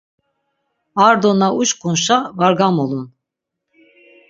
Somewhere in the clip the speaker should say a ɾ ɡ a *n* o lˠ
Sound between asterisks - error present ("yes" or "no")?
yes